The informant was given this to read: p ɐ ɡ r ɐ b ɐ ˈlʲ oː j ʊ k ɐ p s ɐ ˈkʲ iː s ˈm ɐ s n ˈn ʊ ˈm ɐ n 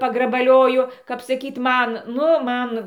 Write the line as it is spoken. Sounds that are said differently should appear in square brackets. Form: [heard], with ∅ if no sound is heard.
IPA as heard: p ɐ ɡ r ɐ b ɐ ˈlʲ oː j ʊ k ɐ p s ɐ ˈkʲ iː [t] ˈm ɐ [∅] n ˈn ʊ ˈm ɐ n